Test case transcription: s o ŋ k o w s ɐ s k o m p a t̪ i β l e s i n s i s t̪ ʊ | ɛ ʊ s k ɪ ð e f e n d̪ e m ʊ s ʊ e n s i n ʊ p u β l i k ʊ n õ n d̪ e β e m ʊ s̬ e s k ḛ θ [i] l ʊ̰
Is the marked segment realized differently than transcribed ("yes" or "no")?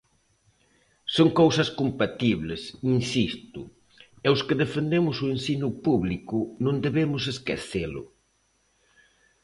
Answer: yes